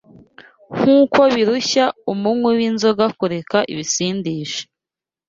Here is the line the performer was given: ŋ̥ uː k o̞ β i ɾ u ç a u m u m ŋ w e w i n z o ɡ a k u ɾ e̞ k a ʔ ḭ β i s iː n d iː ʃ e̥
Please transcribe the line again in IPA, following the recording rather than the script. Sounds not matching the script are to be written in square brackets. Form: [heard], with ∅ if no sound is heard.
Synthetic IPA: ŋ̥ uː k o̞ β i ɾ u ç a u m u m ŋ w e w i n z o ɡ a k u ɾ e̞ k a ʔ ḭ β i s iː n d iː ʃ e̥